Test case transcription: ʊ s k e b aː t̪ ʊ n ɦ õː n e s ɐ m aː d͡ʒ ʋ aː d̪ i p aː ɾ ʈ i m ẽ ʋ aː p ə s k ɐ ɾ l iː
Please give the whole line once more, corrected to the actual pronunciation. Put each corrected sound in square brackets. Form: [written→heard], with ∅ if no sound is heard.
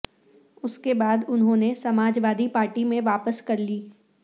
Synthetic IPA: ʊ s k e b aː [t̪→d̪] ʊ n ɦ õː n e s ɐ m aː d͡ʒ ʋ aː d̪ i p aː ɾ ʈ i m ẽ ʋ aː p ə s k ɐ ɾ l iː